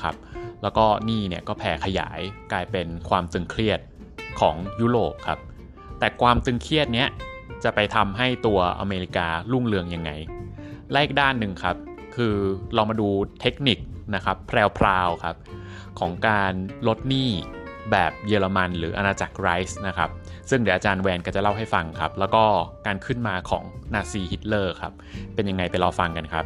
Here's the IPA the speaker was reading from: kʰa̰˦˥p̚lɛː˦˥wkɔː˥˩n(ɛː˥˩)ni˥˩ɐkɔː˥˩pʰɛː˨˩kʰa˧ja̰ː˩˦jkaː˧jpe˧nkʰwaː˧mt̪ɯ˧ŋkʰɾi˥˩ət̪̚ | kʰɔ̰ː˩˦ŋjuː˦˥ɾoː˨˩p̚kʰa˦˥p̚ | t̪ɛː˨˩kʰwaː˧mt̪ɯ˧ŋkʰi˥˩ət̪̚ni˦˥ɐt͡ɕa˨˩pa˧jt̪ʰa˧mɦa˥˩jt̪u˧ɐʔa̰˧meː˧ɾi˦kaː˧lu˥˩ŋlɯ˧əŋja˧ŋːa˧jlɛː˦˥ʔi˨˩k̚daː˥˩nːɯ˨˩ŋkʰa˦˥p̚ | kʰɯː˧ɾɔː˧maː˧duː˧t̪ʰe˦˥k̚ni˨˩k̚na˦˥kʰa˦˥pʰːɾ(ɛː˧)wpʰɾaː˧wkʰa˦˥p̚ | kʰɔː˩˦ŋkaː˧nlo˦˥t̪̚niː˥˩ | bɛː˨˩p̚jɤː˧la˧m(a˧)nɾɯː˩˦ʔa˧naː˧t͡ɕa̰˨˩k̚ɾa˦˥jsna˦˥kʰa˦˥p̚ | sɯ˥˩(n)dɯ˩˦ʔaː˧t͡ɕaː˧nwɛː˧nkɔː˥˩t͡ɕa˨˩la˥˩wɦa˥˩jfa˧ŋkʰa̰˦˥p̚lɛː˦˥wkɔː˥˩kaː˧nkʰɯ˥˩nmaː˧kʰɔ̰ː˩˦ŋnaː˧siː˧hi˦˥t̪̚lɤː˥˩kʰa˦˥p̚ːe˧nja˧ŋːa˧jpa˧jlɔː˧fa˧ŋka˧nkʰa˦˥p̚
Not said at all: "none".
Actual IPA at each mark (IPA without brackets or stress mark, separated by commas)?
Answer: iː˥˩, ɛː˧, a˧, ŋ